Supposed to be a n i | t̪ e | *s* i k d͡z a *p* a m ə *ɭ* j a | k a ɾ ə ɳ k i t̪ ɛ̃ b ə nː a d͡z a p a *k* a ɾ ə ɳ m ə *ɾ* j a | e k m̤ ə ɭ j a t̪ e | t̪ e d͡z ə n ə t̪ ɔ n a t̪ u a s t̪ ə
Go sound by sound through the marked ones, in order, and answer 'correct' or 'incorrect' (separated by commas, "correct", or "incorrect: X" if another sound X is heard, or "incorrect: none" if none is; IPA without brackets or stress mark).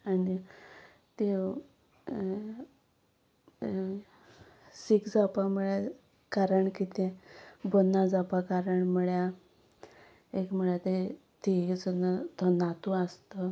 correct, correct, correct, correct, incorrect: ɭ